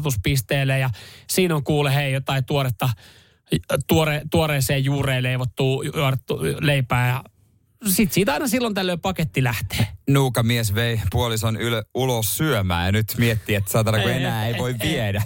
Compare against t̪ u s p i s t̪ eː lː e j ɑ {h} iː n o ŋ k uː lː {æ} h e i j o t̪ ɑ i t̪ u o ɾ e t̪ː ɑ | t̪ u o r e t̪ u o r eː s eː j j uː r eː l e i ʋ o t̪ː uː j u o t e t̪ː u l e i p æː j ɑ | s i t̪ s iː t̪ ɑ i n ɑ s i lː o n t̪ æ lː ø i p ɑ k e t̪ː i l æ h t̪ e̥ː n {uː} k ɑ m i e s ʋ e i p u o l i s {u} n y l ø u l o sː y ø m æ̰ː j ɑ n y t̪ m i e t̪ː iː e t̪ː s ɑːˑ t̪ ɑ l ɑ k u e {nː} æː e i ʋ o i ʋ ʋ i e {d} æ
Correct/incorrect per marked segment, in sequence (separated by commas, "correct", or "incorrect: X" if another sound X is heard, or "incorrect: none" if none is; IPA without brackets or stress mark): incorrect: s, incorrect: e, correct, incorrect: o, incorrect: n, correct